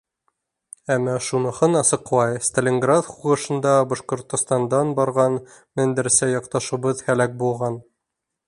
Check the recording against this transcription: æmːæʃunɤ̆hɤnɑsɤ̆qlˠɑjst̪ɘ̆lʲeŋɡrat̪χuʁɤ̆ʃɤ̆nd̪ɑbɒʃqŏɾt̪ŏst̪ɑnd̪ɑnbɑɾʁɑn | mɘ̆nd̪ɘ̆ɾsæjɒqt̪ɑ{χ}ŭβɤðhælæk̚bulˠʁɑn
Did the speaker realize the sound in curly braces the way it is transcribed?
no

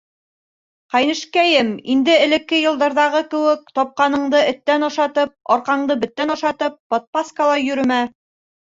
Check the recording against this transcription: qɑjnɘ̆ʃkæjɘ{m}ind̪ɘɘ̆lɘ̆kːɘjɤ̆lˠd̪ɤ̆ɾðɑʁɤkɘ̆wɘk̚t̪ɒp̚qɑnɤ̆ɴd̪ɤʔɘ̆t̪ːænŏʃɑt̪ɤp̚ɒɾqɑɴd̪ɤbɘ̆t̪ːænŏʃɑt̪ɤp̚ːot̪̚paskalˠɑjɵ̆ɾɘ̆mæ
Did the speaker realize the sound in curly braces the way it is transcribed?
yes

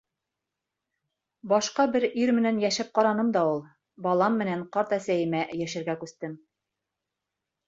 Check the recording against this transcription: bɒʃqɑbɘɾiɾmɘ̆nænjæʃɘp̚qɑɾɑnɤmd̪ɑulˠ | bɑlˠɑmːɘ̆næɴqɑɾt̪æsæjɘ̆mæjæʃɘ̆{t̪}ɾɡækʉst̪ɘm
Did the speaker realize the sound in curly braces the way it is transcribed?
no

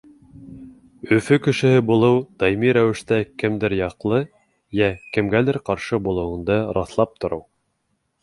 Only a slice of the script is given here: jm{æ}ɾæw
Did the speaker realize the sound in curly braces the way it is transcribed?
no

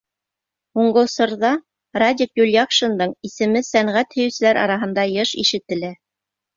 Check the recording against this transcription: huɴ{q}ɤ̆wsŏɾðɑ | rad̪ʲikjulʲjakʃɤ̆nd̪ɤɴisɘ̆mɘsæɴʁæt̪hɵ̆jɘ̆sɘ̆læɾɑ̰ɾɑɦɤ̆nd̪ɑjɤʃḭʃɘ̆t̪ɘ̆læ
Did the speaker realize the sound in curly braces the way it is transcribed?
no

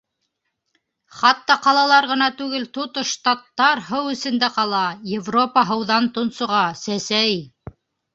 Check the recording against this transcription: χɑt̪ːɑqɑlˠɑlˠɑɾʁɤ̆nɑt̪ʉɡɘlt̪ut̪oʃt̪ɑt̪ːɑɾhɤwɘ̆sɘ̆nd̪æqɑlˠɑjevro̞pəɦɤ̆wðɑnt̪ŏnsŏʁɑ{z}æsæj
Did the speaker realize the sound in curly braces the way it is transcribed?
no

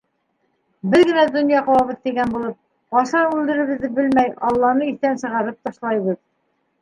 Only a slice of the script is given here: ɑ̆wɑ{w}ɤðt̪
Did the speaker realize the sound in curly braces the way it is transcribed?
no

